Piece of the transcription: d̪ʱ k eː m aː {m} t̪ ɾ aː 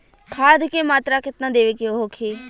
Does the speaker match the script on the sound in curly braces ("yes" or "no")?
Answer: no